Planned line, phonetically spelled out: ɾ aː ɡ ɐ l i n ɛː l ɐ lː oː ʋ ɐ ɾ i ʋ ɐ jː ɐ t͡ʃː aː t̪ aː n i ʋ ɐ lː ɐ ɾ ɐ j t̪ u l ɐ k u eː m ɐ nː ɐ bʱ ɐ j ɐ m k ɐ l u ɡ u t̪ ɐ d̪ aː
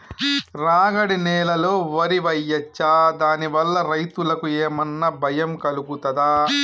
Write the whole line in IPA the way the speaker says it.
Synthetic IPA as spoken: ɾ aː ɡ ɐ ɽ i n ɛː l ɐ l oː ʋ ɐ ɾ i ʋ ɐ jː ɐ t͡ʃː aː d̪ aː n i ʋ ɐ lː ɐ ɾ ɐ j t̪ u l ɐ k u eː m ɐ nː ɐ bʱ ɐ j ɐ m k ɐ l u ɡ u t̪ ɐ d̪ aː

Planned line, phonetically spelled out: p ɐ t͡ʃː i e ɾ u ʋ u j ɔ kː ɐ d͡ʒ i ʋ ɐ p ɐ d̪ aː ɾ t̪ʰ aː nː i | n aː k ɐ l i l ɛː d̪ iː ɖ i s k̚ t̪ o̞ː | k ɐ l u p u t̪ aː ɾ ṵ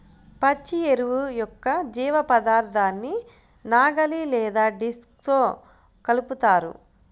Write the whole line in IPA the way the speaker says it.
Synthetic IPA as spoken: p ɐ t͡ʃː i e ɾ u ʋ u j ɔ kː ɐ d͡ʒ iː ʋ ɐ p ɐ d̪ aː ɾ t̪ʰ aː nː i | n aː ɡ ɐ l i l ɛː d̪ aː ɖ i s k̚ t̪ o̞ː | k ɐ l u p u t̪ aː ɾ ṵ

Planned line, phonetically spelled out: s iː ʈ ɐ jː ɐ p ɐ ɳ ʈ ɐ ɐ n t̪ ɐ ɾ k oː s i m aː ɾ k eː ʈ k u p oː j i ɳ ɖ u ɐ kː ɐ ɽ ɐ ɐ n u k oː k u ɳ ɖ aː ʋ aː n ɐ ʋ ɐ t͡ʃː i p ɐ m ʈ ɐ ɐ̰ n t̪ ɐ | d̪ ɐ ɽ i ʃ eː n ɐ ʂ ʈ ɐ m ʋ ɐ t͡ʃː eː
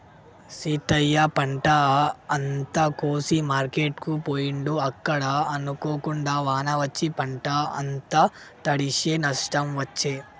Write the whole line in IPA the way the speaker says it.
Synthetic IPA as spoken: s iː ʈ ɐ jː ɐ p ɐ ɳ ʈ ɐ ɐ n t̪ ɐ k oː s i m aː ɾ k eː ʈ k u p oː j i ɳ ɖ u ɐ kː ɐ ɽ ɐ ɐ n u k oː k u ɳ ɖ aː ʋ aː n ɐ ʋ ɐ t͡ʃː i p ɐ ɳ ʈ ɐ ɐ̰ n t̪ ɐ | t̪ ɐ ɽ i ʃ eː n ɐ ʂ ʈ ɐ m ʋ ɐ t͡ʃː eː

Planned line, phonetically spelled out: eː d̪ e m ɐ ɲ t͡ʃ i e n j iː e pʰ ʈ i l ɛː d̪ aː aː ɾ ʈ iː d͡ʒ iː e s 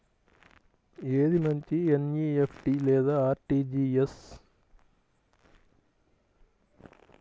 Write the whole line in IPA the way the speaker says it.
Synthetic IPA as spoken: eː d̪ i m ɐ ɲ t͡ʃ i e n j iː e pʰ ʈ i l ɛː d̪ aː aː ɾ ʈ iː d͡ʒ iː e s

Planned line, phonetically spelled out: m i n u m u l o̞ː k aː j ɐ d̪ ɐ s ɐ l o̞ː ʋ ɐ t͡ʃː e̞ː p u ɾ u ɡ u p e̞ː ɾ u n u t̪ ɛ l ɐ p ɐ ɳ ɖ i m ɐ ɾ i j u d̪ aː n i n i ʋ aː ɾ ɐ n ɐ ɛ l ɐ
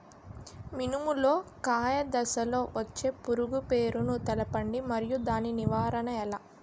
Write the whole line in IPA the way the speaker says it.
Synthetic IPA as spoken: m i n u m u l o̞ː k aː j ɐ d̪ ɐ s ɐ l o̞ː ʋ ɐ t͡ʃː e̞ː p u ɾ u ɡ u p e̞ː ɾ u n u t̪ ɛ l ɐ p ɐ ɳ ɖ i m ɐ ɾ i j u d̪ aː n i n i ʋ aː ɾ ɐ n ɐ ɛ l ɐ

